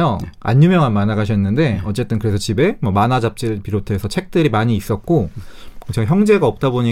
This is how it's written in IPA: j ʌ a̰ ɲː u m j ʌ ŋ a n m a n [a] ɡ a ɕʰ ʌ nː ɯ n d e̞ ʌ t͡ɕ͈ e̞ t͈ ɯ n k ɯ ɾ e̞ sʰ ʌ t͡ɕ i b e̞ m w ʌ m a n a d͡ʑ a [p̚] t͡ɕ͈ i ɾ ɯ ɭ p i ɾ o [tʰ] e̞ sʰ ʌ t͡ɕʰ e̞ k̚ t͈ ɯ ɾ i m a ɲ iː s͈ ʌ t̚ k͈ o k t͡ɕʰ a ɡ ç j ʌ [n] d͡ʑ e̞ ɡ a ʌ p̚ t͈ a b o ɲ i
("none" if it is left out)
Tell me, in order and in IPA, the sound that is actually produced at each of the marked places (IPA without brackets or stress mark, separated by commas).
a, p̚, tʰ, ŋ